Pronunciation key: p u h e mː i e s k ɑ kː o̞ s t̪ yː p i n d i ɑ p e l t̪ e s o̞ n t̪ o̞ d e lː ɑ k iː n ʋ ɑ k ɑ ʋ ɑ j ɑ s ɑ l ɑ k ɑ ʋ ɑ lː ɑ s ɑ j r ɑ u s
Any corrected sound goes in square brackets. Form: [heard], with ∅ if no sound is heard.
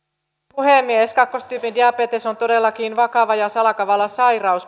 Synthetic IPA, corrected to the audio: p u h e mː i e s k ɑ kː o̞ s t̪ yː p i n d i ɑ p e [∅] t̪ e s o̞ n t̪ o̞ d e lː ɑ k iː n ʋ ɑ k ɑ ʋ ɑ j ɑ s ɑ l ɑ k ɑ ʋ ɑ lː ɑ s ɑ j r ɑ u s